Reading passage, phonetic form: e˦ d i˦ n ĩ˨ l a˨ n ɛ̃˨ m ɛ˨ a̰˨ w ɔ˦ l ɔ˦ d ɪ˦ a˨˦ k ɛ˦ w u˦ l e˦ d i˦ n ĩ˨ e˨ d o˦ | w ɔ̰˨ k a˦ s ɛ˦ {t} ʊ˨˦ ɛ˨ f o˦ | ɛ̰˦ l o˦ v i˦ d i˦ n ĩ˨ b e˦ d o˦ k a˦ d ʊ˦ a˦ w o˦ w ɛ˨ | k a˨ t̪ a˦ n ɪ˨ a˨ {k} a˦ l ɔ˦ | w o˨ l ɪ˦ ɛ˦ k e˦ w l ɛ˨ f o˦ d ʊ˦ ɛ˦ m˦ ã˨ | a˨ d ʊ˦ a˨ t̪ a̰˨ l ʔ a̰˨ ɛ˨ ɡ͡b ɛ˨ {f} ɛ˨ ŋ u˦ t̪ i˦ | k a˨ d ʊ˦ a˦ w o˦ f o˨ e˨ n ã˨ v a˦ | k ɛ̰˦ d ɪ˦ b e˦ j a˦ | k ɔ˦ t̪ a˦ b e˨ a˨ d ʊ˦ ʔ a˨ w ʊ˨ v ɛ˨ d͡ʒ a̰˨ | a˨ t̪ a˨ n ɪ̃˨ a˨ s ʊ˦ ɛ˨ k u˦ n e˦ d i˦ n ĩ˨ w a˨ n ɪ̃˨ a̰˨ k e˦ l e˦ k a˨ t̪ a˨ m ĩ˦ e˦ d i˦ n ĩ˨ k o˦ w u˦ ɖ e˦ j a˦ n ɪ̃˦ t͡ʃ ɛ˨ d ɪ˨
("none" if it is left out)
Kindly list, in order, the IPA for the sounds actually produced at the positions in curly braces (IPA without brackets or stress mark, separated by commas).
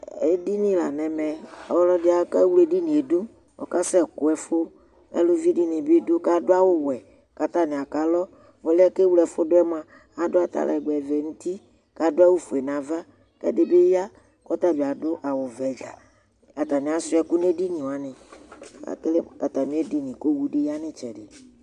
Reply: k, k, v